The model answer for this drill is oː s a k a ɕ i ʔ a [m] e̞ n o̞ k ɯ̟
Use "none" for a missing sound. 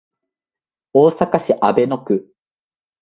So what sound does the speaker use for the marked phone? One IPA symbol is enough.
b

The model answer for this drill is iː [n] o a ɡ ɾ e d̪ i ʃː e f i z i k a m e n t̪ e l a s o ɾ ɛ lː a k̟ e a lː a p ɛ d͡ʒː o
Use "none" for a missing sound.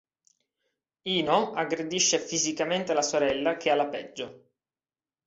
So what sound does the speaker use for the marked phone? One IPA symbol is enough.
n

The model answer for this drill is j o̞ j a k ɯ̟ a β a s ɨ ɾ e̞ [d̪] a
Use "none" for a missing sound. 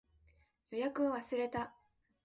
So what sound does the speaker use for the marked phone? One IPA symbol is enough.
t̪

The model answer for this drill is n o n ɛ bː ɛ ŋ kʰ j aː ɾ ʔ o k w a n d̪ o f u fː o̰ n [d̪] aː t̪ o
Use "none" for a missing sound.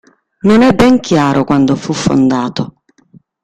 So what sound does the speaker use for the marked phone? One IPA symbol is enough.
d̪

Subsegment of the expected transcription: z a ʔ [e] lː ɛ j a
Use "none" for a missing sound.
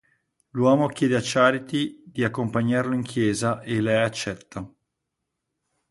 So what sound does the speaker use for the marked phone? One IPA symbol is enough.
e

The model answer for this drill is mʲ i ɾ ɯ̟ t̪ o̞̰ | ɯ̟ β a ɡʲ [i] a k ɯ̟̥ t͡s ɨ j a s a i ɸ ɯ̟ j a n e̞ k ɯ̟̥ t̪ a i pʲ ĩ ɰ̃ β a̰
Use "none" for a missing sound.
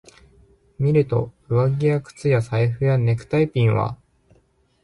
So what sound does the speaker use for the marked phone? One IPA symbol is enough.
i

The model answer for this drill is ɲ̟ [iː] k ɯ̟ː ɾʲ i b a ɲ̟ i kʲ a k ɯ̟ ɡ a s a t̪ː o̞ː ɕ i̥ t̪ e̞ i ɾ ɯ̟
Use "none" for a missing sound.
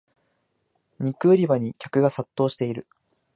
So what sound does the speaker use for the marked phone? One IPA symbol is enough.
i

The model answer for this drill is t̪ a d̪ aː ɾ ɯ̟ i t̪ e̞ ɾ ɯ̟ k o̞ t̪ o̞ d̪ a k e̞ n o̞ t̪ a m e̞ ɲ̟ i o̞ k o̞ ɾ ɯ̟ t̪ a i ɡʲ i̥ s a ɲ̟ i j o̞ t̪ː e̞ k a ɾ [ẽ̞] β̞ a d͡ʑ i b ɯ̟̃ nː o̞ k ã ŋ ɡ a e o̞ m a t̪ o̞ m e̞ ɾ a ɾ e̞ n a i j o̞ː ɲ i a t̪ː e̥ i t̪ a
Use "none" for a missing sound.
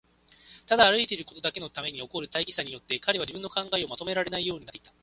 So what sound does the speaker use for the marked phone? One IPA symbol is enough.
e̞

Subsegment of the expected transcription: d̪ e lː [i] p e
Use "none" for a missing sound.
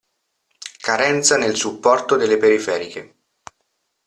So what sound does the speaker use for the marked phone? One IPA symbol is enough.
e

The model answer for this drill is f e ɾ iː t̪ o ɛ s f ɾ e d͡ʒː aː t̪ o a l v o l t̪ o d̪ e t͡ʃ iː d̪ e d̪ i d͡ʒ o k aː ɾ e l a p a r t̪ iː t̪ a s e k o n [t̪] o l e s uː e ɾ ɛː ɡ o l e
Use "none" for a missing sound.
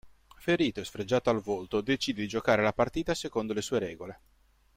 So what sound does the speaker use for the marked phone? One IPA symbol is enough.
d̪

